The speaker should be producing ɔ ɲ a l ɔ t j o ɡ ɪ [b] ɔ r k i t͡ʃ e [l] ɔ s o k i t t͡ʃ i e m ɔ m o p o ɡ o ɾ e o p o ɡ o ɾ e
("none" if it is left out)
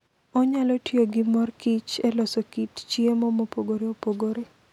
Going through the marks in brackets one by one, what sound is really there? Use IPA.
m, l

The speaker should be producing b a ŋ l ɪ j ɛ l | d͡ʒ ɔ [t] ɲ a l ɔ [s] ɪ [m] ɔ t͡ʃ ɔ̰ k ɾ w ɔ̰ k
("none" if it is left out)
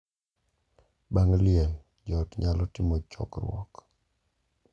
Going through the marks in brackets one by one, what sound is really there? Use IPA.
t, t, m

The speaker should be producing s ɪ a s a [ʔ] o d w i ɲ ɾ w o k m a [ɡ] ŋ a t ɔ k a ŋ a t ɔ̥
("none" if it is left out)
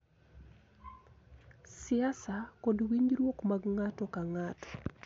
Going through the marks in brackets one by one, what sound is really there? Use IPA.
k, ɡ

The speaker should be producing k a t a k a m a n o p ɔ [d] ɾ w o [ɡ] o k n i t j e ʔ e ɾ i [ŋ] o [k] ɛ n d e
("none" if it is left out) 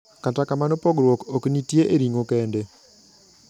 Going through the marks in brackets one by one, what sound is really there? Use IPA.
ɡ, k, ŋ, k

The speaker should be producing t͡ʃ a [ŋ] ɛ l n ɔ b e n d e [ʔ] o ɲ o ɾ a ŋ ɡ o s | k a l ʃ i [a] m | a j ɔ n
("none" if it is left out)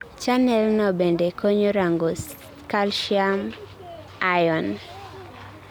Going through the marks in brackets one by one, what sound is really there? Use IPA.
n, k, a

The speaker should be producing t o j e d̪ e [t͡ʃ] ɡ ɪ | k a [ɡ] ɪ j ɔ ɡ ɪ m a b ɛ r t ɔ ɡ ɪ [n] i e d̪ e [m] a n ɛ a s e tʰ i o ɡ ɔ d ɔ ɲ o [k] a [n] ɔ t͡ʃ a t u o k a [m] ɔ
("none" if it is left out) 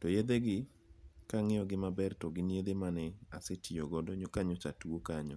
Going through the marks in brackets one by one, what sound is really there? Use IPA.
none, ŋ, n, m, k, ɲ, ɲ

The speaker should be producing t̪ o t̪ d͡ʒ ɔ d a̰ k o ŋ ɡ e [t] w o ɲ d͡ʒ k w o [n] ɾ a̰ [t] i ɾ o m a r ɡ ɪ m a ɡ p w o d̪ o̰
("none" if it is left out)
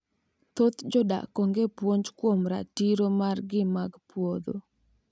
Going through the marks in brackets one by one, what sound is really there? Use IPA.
p, m, t

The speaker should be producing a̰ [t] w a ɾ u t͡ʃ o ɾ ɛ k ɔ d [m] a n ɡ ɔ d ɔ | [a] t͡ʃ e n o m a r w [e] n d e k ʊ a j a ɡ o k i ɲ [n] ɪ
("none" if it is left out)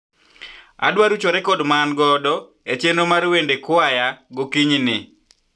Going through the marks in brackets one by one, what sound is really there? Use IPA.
d, m, e, e, n

